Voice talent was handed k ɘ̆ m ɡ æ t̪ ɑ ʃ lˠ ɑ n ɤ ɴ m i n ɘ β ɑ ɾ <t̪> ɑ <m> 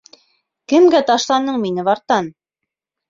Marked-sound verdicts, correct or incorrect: correct, incorrect: n

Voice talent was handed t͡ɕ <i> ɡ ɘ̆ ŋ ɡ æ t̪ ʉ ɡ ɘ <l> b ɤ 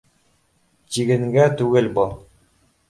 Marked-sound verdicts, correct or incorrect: correct, correct

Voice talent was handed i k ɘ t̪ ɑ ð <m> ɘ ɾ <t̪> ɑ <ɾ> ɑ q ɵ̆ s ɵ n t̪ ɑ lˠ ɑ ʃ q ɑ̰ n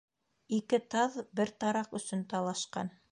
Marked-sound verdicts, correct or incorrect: incorrect: b, correct, correct

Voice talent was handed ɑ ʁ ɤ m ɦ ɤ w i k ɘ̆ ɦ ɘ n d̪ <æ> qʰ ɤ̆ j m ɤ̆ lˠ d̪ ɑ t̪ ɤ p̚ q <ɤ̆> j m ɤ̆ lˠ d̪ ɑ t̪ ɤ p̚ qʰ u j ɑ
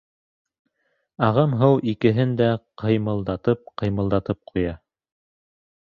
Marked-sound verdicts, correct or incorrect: correct, correct

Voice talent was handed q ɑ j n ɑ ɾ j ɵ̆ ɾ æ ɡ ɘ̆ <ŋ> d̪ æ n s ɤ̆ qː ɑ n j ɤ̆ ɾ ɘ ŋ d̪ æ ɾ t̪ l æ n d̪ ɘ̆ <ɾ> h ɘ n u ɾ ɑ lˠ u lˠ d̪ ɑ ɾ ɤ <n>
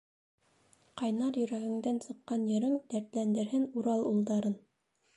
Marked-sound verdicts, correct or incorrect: correct, correct, correct

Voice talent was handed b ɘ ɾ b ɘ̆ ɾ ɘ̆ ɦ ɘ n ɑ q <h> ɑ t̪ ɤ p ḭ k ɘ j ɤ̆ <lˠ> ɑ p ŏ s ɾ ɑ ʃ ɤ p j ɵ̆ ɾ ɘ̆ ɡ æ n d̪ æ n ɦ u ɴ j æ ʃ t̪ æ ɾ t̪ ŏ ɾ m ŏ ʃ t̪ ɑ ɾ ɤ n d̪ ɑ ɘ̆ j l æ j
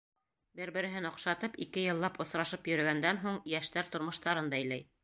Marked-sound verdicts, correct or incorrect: incorrect: ʃ, incorrect: lˠː

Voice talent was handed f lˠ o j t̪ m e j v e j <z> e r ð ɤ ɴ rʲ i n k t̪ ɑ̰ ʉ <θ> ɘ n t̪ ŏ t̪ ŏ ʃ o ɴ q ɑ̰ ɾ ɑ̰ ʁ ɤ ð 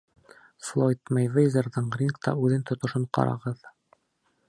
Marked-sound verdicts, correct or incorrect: correct, incorrect: ð

